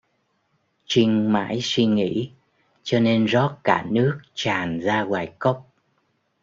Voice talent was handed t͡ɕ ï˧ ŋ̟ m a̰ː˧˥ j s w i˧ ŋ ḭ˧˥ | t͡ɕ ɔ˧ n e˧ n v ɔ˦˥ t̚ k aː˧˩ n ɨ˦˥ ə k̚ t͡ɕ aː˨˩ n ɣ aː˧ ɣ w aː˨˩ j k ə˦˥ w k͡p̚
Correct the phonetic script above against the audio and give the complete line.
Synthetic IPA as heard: t͡ɕ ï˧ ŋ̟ m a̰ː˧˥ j s w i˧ ŋ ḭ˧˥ | t͡ɕ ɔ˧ n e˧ n z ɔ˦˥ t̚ k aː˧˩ n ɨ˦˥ ə k̚ t͡ɕ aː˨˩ n z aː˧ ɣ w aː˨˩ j k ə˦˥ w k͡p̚